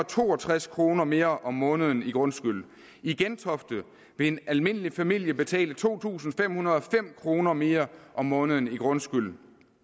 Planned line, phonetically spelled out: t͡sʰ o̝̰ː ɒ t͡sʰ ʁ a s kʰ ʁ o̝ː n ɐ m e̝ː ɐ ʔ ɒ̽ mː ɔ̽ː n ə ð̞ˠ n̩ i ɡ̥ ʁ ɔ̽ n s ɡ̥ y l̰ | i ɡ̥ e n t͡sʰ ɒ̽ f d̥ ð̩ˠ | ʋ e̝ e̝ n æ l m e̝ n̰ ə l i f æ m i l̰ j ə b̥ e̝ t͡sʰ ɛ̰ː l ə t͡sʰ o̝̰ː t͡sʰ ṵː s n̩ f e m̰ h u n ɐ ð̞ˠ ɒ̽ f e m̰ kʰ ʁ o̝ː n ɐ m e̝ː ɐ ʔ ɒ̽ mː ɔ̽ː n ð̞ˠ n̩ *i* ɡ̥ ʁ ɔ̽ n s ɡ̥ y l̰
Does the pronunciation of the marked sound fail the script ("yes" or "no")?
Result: no